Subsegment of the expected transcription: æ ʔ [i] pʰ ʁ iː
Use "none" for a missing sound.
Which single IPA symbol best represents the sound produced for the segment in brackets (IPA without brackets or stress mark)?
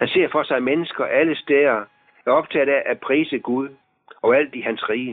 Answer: æ